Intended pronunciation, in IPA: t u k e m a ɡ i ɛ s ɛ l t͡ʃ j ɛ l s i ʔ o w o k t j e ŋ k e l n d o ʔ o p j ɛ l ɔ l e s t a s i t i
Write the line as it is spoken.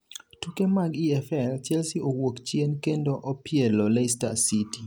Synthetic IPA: t u k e m a ɡ i ɛ f ɛ l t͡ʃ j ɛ l s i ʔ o w o k t͡ʃ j e n k e n d o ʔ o p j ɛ l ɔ l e s t a s i t i